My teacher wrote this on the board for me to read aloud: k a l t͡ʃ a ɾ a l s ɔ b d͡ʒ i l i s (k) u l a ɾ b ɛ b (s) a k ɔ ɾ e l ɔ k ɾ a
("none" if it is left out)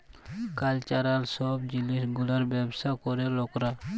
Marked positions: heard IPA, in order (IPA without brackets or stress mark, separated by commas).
ɡ, s